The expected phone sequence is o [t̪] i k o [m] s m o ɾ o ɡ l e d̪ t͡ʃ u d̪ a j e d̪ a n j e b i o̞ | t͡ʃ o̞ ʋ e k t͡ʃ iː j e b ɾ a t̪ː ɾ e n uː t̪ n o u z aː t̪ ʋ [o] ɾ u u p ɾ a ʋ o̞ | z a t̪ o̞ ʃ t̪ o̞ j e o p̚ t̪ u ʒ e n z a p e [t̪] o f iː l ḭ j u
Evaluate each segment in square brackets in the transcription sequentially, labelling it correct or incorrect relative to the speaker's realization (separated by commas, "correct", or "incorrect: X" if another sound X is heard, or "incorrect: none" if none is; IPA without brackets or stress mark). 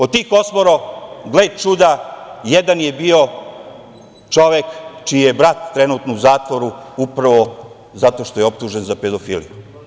correct, incorrect: none, correct, incorrect: d̪